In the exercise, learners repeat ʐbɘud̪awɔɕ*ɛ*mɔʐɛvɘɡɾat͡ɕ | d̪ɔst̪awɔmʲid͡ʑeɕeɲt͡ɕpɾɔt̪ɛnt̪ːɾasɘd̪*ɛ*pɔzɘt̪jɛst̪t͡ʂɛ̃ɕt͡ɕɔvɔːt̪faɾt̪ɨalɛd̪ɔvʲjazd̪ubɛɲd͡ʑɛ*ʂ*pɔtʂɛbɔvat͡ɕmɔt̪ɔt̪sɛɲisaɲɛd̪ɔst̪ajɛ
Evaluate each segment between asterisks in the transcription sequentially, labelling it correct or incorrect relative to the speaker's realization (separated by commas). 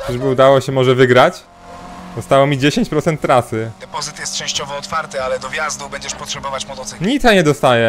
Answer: correct, correct, correct